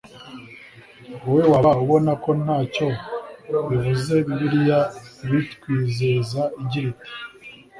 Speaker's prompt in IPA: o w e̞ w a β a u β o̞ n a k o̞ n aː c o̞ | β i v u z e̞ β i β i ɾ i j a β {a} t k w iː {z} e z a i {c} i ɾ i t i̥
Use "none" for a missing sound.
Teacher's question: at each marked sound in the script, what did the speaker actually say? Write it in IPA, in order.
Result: i, z, ɟ

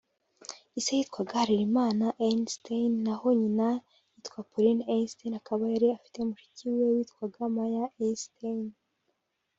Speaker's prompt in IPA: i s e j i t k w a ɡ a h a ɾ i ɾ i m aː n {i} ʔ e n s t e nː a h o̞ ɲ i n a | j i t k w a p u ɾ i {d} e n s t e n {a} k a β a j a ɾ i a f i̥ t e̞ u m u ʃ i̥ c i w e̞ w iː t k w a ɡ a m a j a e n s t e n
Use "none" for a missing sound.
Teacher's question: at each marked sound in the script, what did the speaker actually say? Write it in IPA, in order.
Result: a, n, a

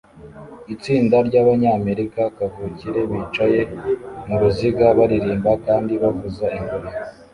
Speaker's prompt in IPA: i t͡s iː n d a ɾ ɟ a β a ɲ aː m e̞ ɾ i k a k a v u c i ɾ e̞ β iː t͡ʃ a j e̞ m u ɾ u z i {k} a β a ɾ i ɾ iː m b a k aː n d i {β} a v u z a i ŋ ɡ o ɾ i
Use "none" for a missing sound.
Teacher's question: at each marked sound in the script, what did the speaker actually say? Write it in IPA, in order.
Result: ɡ, β

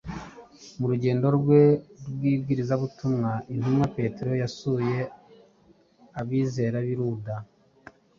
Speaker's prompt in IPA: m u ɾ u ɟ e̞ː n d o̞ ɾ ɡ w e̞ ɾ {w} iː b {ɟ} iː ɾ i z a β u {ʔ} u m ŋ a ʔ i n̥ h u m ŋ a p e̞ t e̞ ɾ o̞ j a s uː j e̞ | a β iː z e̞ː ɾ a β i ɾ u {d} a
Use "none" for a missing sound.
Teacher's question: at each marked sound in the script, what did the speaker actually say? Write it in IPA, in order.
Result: w, ɡ, t, d

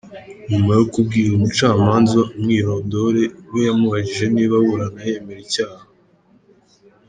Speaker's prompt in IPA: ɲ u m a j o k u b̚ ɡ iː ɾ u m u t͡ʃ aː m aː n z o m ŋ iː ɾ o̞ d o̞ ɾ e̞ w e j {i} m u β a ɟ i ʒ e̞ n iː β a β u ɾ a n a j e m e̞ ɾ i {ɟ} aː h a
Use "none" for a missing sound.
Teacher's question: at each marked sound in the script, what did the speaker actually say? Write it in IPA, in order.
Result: a, c

